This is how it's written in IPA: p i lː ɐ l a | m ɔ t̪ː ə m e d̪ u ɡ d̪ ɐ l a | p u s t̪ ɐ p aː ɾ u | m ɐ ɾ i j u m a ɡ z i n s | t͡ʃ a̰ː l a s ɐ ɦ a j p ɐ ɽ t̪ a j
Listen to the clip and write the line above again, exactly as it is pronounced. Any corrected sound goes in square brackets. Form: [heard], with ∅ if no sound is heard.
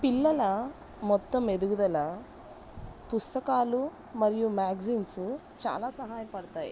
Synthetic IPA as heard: p i lː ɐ l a | m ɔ t̪ː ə m e d̪ u ɡ d̪ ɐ l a | p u s t̪ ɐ [k] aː [l] u | m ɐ ɾ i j u m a ɡ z i n s | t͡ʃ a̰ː l a s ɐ ɦ a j p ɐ ɽ t̪ a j